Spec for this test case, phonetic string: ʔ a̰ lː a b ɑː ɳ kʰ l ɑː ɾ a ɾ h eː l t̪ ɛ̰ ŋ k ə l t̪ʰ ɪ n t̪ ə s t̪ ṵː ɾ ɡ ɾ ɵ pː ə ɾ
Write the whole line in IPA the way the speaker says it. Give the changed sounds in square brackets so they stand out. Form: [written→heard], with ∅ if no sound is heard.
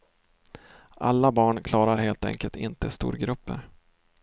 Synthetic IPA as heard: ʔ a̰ lː a b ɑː ɳ kʰ l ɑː ɾ a ɾ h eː l t̪ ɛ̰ ŋ k ə l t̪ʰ ɪ n t̪ ə s t̪ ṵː ɾ ɡ ɾ ɵ pː ə ɾ